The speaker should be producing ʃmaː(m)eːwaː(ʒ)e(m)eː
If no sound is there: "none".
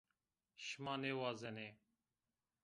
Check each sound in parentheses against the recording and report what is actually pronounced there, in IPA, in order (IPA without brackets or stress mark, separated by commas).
n, z, n